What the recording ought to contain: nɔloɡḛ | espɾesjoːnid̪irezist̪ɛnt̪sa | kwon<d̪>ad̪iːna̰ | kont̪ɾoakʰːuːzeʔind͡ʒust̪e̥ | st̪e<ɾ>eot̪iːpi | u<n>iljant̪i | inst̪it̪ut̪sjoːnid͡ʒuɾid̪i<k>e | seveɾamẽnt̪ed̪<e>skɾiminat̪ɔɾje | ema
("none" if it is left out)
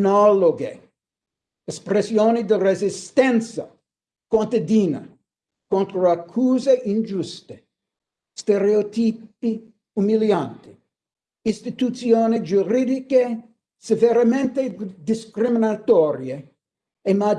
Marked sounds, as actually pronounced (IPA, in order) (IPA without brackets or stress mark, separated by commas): t̪, ɾ, m, k, i